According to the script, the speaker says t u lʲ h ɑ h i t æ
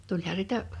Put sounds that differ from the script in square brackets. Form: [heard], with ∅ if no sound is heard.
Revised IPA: t u lʲ h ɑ [s] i t æ